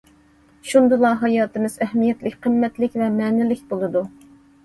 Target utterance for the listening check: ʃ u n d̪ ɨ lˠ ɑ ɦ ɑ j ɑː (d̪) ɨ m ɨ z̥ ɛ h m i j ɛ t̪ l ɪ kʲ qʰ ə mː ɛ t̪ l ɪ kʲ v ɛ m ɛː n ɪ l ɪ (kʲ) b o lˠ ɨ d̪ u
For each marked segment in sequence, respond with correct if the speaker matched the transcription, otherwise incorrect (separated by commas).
incorrect, correct